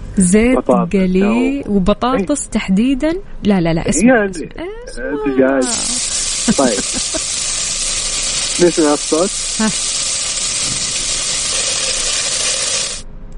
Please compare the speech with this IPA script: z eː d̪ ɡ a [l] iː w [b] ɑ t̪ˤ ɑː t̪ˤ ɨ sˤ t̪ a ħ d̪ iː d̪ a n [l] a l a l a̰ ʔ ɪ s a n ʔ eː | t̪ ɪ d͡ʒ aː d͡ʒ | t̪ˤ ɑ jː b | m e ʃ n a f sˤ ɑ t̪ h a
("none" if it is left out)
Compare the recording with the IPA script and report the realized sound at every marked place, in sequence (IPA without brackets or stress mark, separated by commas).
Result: l, b, l